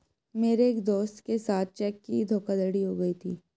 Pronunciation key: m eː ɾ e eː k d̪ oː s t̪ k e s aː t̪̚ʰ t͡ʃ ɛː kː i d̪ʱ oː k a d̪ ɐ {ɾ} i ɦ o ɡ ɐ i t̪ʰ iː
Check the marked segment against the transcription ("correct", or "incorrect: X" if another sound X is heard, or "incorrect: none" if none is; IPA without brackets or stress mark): incorrect: ɽ